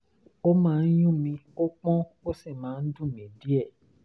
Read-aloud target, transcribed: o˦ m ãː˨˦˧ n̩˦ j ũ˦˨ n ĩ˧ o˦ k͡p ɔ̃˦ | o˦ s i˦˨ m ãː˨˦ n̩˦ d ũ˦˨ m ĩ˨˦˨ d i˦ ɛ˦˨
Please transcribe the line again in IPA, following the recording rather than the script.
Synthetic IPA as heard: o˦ m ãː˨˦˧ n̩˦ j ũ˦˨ m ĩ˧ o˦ k͡p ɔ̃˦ | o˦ s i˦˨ m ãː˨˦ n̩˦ d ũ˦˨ m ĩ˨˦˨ d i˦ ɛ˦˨